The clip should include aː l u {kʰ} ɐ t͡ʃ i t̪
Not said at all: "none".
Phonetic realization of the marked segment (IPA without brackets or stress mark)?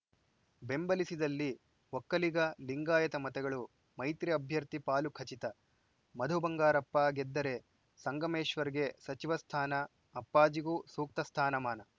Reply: kʰ